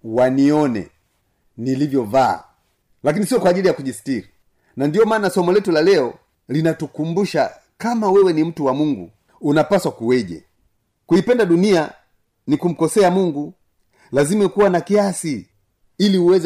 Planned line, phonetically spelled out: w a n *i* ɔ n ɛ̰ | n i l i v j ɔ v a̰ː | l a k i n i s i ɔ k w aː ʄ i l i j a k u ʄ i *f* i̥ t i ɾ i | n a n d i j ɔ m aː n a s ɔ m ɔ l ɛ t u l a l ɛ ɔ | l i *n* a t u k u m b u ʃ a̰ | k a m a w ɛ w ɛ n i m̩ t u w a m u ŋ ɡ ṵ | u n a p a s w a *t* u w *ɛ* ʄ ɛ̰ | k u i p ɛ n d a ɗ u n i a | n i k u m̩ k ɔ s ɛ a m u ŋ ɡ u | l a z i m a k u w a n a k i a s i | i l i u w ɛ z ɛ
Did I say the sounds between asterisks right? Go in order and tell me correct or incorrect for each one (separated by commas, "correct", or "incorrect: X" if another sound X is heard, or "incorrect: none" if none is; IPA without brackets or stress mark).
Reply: correct, incorrect: s, correct, incorrect: k, correct